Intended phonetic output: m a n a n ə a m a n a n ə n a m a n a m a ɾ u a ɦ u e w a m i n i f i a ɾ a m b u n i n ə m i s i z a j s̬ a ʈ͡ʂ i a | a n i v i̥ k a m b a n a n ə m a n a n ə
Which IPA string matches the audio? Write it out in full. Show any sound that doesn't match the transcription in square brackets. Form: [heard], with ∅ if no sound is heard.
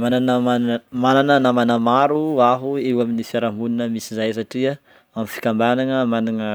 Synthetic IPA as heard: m a n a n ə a m a n a n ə n a m a n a m a ɾ u a ɦ u e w a m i n i f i a ɾ a m b u n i n ə m i s i z a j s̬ a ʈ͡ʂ i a | a [m] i [f] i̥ k a m b a n a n ə m a n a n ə

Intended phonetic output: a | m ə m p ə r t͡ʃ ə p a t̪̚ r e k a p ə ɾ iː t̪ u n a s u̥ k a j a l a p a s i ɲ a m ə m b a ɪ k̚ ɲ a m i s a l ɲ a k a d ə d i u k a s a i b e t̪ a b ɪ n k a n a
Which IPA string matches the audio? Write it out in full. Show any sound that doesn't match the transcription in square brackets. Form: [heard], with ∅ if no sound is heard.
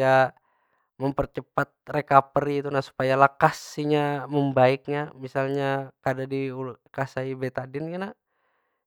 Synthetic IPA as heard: a | m ə m p ə r t͡ʃ ə p a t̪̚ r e k a p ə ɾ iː t̪ u n a s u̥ [p] a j a l a [k] a s i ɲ a m ə m b a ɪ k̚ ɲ a m i s a l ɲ a k a d [a] d i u k a s a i b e t̪ a [d] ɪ n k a n a

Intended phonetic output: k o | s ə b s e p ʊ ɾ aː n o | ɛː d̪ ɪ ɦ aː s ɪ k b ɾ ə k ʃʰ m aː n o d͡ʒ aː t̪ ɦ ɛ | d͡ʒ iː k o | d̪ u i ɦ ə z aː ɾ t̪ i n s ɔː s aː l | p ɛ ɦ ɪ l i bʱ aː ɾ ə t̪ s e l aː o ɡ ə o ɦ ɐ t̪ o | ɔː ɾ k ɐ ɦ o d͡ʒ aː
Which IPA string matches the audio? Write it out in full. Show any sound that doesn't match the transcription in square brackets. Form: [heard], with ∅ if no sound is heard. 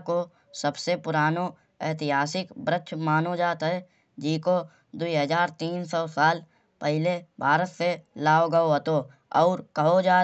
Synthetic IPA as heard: k o | s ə b s e p ʊ ɾ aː n o | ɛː [t̪] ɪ ɦ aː s ɪ k b ɾ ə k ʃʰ m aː n o d͡ʒ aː t̪ ɦ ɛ | d͡ʒ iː k o | d̪ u i ɦ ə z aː ɾ t̪ [iː] n s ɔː s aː l | p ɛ ɦ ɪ l [e] bʱ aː ɾ ə t̪ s e l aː o ɡ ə o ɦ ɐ t̪ o | ɔː ɾ k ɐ ɦ o d͡ʒ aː

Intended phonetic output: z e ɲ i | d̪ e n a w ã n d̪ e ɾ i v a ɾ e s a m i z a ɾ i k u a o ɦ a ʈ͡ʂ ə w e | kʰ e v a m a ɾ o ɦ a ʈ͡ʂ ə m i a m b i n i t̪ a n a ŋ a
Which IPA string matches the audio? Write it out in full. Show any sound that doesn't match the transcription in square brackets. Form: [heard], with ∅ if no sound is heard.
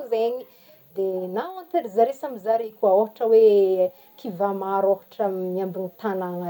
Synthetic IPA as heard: z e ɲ i | d̪ e n a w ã n [t̪] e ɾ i [z] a ɾ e s a m i z a ɾ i k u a o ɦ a ʈ͡ʂ ə w e | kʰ [i] v a m a ɾ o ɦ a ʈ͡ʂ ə m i a m b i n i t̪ a n a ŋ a

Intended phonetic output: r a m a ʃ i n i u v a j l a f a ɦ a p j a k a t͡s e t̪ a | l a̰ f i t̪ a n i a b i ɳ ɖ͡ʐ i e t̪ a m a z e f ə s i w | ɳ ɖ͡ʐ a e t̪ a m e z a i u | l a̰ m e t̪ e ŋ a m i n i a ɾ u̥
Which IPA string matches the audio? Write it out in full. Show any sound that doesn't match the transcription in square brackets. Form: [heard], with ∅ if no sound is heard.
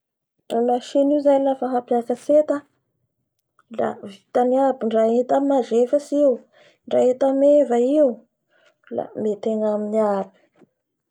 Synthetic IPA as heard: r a m a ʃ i n i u [z] a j l a f a ɦ a p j a k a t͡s e t̪ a | l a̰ [v] i t̪ a n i a b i ɳ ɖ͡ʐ [a] e t̪ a m a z e f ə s i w | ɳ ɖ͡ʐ a e t̪ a m e [v] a i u | l a̰ m e t̪ e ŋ a m i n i a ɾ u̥

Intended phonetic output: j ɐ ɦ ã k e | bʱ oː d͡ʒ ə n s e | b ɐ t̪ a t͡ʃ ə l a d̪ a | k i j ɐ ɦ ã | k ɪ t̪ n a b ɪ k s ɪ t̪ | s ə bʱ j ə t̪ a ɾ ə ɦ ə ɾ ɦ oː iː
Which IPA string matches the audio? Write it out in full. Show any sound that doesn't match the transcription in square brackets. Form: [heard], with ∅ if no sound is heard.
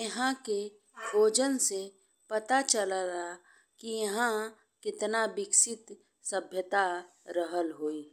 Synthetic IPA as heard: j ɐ ɦ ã k e | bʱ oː d͡ʒ ə n s e | [p] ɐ t̪ a t͡ʃ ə l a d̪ a | k i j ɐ ɦ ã | k ɪ t̪ n a b ɪ k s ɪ t̪ | s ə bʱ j ə t̪ a ɾ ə ɦ ə [l] ɦ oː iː

